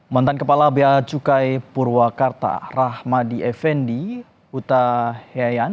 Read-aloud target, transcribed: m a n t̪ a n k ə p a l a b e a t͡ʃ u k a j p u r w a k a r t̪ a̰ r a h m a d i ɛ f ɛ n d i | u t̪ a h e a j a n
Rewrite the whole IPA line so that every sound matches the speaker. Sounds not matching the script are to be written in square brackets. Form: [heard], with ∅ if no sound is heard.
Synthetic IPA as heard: m a n t̪ a n k ə p a l a b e a t͡ʃ u k a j p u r w a k a r t̪ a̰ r a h m a d i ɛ f ɛ n d i | u t̪ a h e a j a n